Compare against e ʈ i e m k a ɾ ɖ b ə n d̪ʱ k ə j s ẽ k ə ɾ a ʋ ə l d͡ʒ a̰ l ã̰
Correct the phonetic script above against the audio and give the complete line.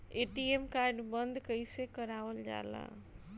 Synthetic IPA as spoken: e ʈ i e m k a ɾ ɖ b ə n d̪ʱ k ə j s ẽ k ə ɾ a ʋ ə l d͡ʒ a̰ l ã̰